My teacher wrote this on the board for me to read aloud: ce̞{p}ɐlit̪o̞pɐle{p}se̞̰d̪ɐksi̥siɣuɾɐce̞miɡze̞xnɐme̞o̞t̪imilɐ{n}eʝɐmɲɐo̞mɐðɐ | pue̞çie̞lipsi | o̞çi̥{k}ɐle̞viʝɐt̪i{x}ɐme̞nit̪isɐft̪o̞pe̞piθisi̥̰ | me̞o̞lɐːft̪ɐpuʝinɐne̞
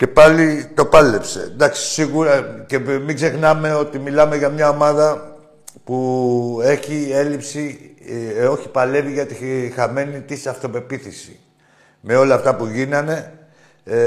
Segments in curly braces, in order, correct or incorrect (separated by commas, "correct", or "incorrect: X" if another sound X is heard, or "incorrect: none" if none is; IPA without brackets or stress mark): correct, correct, incorrect: m, incorrect: p, correct